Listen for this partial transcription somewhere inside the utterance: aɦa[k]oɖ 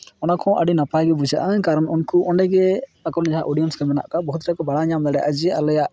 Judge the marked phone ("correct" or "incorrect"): incorrect